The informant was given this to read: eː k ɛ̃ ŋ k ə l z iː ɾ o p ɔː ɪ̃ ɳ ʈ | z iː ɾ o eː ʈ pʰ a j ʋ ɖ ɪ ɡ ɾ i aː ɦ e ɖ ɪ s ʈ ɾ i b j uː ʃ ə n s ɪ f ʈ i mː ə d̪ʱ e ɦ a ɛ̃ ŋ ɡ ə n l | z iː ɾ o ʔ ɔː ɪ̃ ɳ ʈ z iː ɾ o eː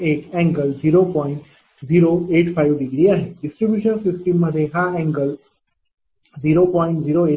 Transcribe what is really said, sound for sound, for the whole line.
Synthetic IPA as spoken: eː k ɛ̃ ŋ ɡ ə l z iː ɾ o p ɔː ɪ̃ ɳ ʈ | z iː ɾ o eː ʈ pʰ a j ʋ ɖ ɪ ɡ ɾ i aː ɦ e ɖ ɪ s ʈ ɾ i b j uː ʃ ə n s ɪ s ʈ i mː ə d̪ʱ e ɦ a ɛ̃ ŋ ɡ ə l | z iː ɾ o p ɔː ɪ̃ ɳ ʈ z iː ɾ o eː